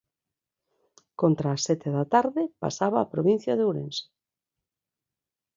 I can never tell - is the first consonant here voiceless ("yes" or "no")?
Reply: yes